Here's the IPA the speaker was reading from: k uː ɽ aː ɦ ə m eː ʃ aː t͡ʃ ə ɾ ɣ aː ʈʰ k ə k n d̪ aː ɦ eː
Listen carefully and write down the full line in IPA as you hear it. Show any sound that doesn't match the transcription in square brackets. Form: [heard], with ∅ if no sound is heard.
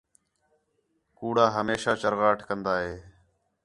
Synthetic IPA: k uː ɽ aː ɦ ə m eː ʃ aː t͡ʃ ə ɾ ɣ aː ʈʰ k ə [∅] n d̪ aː ɦ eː